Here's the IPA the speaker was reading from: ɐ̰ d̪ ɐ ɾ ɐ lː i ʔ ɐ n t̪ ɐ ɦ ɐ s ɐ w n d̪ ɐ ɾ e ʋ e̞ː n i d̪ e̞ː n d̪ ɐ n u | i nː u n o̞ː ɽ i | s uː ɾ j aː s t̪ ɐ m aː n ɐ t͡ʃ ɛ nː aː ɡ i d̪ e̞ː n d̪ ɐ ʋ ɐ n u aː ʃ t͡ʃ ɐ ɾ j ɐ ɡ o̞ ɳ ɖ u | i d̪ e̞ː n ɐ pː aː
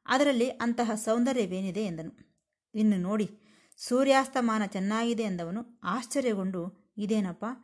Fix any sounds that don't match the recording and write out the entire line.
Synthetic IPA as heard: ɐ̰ d̪ ɐ ɾ ɐ lː i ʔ ɐ n t̪ ɐ ɦ ɐ s ɐ w n d̪ ɐ ɾ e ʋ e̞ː n i d̪ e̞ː n d̪ ɐ n u | i nː u n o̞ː ɽ i | s uː ɾ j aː s t̪ ɐ m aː n ɐ t͡ʃ ɛ nː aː ɡ i d̪ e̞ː n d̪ ɐ ʋ ɐ n u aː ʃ t͡ʃ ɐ ɾ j ɐ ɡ o̞ ɳ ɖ u | i d̪ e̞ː n ɐ pː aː